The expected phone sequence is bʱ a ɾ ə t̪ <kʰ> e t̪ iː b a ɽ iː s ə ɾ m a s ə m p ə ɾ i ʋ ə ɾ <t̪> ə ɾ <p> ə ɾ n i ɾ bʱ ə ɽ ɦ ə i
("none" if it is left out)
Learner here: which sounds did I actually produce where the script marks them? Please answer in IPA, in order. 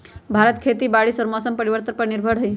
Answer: kʰ, t̪, p

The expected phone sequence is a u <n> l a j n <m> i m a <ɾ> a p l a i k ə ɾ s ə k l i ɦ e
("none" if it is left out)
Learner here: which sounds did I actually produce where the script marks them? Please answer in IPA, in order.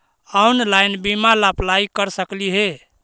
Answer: n, b, l

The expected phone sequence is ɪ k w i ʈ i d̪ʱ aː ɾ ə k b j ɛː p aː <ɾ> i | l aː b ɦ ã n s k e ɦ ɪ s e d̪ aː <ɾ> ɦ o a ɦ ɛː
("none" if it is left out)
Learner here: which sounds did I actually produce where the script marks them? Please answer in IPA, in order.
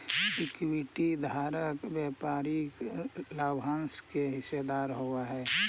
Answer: ɾ, ɾ

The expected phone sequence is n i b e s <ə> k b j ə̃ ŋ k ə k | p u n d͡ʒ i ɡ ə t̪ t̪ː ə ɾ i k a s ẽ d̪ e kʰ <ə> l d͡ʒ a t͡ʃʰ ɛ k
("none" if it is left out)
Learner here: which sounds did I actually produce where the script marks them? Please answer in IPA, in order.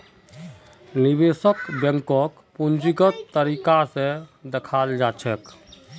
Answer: ə, a

